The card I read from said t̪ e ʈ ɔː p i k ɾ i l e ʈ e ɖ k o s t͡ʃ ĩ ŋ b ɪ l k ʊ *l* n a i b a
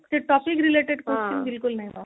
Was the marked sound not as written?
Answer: no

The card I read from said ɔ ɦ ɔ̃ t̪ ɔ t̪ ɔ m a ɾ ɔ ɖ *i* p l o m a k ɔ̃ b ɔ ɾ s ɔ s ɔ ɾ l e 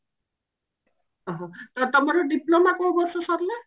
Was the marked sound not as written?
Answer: no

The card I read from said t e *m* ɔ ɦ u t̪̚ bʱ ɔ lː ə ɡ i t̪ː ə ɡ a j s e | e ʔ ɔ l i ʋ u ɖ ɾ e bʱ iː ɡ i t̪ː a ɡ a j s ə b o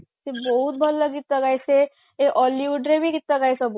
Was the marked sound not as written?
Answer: yes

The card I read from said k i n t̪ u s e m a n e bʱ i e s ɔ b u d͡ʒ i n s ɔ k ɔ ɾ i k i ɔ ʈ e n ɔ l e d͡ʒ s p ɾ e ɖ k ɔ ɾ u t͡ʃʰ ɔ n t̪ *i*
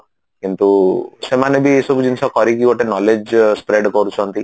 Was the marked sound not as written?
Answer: no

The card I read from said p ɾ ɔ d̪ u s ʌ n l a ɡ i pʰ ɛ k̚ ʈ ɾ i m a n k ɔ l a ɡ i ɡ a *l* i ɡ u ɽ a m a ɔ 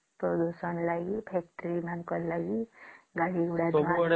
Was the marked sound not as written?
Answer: yes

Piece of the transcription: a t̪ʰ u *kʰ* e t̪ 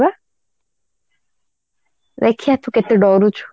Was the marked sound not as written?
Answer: yes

